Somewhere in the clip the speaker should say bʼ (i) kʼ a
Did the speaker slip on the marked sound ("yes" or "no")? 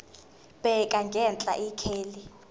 yes